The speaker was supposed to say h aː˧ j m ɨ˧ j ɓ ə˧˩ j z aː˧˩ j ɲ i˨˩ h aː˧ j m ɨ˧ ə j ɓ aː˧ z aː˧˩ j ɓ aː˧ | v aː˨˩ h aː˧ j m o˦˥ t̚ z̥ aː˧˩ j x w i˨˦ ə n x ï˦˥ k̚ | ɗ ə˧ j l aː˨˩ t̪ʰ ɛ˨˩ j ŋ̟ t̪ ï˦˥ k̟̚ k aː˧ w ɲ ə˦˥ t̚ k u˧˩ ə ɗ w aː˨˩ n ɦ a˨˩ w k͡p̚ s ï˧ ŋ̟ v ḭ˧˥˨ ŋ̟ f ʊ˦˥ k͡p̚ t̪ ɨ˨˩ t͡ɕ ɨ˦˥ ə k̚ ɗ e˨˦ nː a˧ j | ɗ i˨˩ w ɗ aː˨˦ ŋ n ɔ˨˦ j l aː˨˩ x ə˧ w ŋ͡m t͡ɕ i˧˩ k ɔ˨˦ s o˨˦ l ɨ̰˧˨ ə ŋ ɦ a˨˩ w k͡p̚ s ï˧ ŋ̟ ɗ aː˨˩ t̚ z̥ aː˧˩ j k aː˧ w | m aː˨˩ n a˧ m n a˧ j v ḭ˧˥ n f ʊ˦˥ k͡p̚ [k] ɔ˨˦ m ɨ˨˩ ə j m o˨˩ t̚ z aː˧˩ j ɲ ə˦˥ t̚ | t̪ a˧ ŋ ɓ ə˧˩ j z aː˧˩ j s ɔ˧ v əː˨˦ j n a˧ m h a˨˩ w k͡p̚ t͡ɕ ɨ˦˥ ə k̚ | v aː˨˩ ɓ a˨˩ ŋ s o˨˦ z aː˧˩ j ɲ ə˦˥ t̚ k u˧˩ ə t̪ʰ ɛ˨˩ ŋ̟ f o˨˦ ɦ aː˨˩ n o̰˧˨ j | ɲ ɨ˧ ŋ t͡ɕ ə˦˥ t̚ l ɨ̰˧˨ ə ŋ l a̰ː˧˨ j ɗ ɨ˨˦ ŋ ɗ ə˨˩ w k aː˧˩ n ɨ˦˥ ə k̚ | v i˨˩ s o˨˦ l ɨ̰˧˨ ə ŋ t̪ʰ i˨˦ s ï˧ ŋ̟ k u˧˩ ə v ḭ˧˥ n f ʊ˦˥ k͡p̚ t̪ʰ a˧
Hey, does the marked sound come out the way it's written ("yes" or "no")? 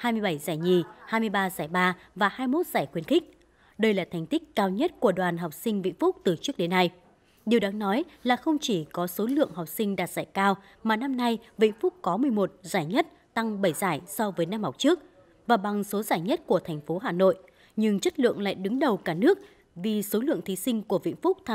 yes